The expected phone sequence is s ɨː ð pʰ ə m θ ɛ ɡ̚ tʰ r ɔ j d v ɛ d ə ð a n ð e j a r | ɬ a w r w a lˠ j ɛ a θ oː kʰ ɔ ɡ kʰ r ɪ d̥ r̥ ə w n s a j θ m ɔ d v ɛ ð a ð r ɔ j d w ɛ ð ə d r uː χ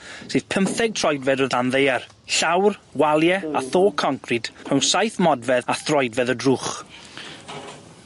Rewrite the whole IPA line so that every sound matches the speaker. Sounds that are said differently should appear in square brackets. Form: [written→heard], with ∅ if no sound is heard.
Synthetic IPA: s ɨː ð pʰ ə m θ ɛ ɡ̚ tʰ r ɔ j d v ɛ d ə ð a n ð e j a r | ɬ a w r w a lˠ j ɛ a θ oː kʰ ɔ [ɡ→ŋ] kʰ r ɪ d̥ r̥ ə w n s a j θ m ɔ d v ɛ ð a [ð→θ] r ɔ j d [w→v] ɛ ð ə d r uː χ